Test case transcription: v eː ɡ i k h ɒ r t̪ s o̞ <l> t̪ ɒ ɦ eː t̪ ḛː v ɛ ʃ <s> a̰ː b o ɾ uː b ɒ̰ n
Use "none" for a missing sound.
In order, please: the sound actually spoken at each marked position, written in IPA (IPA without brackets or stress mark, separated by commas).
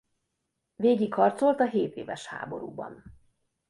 l, h